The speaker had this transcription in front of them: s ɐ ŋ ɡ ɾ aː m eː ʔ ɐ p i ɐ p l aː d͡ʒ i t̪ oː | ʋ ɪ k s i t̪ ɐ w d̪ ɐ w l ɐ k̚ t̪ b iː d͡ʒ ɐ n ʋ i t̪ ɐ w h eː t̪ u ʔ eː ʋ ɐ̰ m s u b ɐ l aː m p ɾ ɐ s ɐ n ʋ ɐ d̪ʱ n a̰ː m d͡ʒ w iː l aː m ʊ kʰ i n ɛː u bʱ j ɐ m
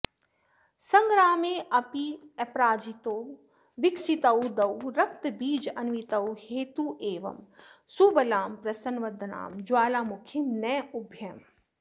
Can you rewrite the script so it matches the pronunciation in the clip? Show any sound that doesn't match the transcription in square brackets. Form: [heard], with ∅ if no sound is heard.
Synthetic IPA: s ɐ ŋ ɡ ɾ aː m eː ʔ ɐ p i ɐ p [ɾ] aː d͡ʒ i t̪ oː | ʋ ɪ k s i t̪ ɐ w d̪ ɐ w [ɾ] ɐ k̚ t̪ b iː d͡ʒ ɐ n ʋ i t̪ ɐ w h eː t̪ u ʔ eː ʋ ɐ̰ m s u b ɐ l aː m p ɾ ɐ s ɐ n ʋ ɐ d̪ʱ n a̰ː m d͡ʒ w [aː] l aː m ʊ kʰ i n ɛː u bʱ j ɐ m